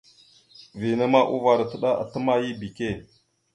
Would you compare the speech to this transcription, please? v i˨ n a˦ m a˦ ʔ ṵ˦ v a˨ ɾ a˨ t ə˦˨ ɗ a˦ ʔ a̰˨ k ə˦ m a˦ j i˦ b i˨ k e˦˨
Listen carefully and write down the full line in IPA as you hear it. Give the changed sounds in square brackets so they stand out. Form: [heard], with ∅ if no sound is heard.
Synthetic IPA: v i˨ n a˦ m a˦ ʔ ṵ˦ v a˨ ɾ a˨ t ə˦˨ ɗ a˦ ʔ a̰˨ [t] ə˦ m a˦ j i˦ b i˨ k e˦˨